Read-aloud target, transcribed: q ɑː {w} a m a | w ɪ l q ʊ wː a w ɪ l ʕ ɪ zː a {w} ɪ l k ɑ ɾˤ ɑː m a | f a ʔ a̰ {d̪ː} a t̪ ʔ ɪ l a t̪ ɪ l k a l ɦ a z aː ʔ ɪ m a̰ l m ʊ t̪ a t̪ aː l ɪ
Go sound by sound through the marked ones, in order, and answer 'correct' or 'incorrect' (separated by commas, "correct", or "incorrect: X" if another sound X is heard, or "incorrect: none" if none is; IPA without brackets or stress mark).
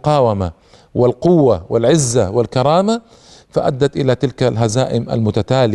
correct, correct, correct